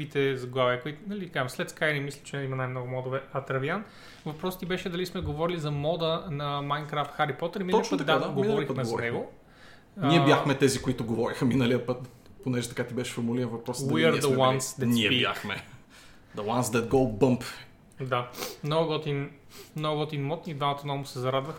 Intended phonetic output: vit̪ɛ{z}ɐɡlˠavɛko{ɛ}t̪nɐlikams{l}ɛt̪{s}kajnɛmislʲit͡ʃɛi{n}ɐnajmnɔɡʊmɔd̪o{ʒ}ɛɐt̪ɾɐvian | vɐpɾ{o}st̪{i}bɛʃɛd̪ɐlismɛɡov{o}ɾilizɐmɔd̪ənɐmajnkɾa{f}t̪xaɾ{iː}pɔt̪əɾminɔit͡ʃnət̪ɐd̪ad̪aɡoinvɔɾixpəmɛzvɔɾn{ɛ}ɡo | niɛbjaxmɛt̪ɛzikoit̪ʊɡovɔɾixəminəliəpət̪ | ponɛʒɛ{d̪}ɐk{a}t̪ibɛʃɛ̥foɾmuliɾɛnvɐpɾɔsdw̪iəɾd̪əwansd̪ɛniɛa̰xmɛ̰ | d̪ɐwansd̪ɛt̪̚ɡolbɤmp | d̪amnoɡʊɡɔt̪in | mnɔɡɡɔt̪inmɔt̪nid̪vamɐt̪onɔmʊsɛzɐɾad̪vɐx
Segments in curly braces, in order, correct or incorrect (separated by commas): correct, incorrect, correct, correct, incorrect, incorrect, incorrect, correct, incorrect, correct, incorrect, correct, incorrect, correct